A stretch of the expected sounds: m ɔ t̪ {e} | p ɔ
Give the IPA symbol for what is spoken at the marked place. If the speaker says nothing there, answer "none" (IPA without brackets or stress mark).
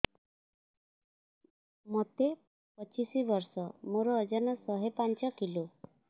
e